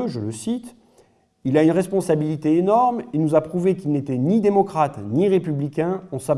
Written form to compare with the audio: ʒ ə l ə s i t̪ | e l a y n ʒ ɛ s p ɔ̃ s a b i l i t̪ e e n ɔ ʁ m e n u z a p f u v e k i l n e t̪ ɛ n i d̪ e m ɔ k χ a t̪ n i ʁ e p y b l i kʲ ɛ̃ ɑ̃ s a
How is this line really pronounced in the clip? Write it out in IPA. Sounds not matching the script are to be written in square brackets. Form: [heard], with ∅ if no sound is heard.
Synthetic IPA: ʒ ə l ə s i t̪ | [i] l a y n [ʁ] ɛ s p ɔ̃ s a b i l i t̪ e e n ɔ ʁ m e n u z a p [χ] u v e k i l n e t̪ ɛ n i d̪ e m ɔ k χ a t̪ n i ʁ e p y b l i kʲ ɛ̃ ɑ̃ s a